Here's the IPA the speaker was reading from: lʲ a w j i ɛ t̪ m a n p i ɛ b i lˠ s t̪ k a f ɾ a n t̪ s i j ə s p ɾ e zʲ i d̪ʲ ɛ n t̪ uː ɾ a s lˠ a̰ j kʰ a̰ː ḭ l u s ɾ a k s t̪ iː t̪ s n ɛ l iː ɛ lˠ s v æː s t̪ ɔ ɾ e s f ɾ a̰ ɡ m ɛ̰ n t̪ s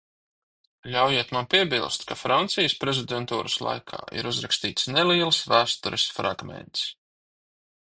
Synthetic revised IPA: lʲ a w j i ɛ t̪ m a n p i ɛ b i lˠ s t̪ k a f ɾ a n t̪ s i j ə s p ɾ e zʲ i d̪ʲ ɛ n t̪ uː ɾ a s lˠ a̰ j kʰ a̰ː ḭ ɾ u z ɾ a k s t̪ iː t̪ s n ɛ l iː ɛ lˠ s v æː s t̪ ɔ ɾ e s f ɾ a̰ ɡ m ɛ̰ n t̪ s

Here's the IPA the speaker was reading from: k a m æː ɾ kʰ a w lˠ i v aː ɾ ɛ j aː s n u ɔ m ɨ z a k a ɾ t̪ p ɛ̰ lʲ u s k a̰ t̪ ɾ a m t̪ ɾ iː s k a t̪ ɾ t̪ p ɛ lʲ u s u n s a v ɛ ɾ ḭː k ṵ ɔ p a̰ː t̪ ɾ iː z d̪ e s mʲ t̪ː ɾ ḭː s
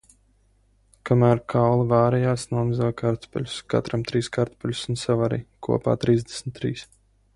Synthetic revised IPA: k a m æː ɾ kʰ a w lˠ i v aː ɾ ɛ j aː s n u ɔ m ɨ z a k a ɾ t̪ p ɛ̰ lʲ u s k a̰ t̪ ɾ a m t̪ ɾ iː s k a ɾ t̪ p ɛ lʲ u s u n s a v a ɾ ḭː k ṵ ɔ p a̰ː t̪ ɾ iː z d̪ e s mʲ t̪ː ɾ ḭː s

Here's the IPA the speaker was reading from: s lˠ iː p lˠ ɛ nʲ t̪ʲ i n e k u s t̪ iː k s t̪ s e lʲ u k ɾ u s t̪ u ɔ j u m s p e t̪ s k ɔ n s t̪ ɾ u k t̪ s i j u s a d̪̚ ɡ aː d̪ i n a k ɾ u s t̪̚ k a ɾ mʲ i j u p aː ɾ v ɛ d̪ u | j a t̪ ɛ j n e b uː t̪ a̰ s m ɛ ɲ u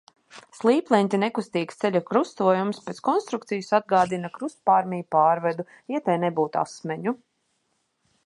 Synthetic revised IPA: s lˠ iː p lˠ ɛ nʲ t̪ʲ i n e k u s t̪ iː k s t̪ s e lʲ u k ɾ u s t̪ u ɔ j u m s p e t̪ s k ɔ n s t̪ ɾ u k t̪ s i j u s a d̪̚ ɡ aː d̪ i n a k ɾ u s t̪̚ p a ɾ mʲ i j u p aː ɾ v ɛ d̪ u | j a t̪ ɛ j n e b uː t̪ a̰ s m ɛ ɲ u

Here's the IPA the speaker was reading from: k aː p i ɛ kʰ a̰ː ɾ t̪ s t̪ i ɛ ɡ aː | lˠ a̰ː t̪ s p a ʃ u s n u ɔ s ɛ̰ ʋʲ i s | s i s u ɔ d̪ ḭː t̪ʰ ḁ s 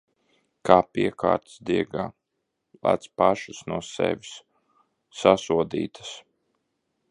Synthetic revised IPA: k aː p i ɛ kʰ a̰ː ɾ t̪ s d̪ i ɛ ɡ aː | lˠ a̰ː t̪ s p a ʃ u s n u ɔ s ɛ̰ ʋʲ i s | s a s u ɔ d̪ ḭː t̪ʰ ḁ s

